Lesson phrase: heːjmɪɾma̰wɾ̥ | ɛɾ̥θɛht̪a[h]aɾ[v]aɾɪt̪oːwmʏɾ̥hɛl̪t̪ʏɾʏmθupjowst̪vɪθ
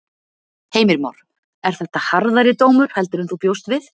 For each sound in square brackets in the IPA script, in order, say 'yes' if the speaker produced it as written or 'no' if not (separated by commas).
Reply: yes, no